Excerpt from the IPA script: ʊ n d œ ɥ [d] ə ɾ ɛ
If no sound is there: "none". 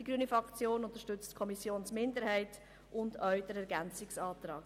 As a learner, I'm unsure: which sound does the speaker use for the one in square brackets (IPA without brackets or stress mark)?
d